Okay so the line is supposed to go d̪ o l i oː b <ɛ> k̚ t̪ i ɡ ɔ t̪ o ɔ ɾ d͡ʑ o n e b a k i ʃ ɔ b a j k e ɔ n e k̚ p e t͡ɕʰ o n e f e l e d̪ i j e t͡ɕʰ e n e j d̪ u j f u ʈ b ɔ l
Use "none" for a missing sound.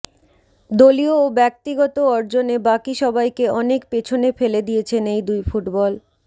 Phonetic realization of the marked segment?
ɛ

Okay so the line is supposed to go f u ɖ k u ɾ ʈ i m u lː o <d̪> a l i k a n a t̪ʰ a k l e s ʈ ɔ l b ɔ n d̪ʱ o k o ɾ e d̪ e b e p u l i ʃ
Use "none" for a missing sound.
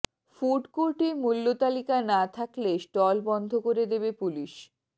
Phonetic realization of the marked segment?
t̪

